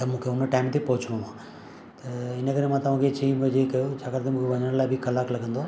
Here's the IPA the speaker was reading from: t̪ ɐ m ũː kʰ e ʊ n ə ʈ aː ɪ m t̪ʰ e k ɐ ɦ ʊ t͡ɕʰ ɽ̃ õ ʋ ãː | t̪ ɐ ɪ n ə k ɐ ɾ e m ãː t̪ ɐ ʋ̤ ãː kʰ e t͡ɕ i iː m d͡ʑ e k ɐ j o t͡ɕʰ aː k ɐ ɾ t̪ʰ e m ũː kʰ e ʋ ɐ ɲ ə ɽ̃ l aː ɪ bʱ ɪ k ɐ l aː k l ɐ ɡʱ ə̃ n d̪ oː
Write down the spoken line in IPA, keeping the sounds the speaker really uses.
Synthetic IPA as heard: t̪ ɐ m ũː kʰ e ʊ n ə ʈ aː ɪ m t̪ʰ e p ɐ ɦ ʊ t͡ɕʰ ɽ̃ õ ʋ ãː | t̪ ɐ ɪ n ə k ɐ ɾ e m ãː t̪ ɐ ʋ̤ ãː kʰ e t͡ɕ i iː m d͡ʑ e k ɐ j o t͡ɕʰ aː k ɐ ɾ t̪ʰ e m ũː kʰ e ʋ ɐ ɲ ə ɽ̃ l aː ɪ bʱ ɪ k ɐ l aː k l ɐ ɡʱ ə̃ n d̪ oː